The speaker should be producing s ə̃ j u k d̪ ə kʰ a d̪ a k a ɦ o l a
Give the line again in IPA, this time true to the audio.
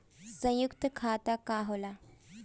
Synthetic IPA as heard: s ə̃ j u k t̪ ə kʰ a t̪ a k a ɦ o l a